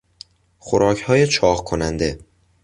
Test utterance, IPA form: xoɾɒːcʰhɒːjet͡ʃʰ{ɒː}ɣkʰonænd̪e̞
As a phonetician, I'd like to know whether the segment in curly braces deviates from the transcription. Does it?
no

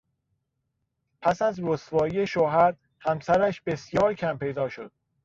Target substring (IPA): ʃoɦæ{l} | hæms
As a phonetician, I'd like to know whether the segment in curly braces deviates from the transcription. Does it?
yes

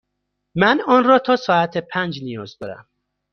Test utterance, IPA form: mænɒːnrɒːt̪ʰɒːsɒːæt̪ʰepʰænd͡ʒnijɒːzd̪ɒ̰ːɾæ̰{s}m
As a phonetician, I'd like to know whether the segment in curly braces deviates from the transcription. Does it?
yes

